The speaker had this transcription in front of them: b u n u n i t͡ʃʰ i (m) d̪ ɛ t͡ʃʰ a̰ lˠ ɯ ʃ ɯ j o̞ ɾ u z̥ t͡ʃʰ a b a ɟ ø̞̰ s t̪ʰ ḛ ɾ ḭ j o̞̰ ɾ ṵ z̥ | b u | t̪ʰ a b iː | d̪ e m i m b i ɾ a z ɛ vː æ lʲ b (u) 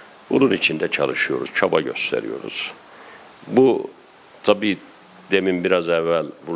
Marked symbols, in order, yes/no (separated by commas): no, yes